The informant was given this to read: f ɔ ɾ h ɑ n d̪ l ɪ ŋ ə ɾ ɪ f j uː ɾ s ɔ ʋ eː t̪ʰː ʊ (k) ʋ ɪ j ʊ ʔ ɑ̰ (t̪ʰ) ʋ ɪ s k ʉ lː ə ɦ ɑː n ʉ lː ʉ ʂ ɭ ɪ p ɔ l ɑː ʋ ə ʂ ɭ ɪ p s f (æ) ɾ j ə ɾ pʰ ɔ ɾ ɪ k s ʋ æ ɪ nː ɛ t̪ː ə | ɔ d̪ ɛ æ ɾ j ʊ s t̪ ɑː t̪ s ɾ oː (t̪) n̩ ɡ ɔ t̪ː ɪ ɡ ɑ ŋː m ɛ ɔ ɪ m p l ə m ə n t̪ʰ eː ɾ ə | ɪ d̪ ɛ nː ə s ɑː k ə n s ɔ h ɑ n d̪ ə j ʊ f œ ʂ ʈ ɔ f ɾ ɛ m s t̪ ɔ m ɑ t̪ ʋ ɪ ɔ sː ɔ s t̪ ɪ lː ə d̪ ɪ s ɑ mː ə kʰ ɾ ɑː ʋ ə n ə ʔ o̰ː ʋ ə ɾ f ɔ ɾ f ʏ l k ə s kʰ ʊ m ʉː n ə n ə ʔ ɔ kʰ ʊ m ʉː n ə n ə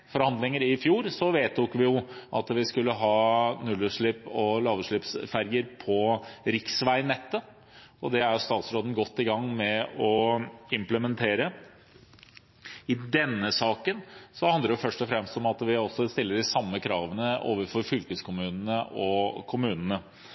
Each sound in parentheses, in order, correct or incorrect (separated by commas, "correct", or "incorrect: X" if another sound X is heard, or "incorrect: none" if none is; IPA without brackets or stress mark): correct, incorrect: t̪, correct, incorrect: d̪